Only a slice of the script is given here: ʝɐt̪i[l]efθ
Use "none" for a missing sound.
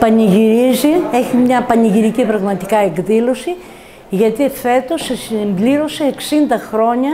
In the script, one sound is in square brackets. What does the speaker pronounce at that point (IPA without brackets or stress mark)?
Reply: none